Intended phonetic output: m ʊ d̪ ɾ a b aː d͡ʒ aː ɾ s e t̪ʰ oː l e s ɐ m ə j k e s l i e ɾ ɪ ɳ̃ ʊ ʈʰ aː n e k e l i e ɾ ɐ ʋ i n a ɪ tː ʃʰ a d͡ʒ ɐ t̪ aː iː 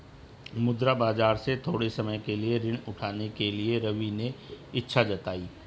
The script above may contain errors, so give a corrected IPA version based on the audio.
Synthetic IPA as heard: m ʊ d̪ ɾ a b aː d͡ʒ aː ɾ s e t̪ʰ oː ɽ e s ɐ m ə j k e l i e ɾ ɪ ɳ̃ ʊ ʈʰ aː n e k e l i e ɾ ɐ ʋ i n e ɪ tː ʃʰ a d͡ʒ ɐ t̪ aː iː